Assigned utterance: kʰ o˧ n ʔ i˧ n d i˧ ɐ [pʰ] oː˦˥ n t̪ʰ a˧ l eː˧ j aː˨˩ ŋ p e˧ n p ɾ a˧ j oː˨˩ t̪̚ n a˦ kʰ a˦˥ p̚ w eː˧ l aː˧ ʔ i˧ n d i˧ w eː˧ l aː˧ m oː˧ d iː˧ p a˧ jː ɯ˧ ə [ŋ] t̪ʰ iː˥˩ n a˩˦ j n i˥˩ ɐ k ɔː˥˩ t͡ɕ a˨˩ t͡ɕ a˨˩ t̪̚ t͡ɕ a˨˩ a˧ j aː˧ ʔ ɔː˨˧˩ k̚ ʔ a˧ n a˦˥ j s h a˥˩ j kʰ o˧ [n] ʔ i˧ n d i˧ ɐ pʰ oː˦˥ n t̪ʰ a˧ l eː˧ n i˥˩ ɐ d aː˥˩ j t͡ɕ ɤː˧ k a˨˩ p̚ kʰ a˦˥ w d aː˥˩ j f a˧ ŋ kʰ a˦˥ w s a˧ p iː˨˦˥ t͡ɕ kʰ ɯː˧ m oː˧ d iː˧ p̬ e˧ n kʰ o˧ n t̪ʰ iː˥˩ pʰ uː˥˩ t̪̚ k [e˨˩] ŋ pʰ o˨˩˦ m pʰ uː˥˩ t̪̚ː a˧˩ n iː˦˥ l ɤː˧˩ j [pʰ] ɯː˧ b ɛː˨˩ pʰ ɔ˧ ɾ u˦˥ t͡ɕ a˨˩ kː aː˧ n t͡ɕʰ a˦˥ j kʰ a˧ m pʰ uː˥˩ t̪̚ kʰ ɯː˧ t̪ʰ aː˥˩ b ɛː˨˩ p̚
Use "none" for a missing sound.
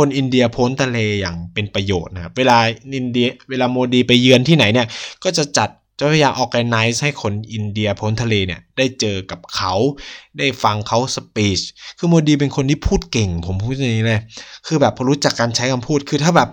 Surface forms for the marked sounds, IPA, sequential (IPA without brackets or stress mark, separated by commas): pʰ, n, n, e˨˩, kʰ